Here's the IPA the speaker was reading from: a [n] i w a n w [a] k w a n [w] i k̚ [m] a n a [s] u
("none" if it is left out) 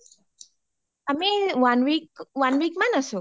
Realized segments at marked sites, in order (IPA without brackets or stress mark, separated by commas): m, i, w, m, s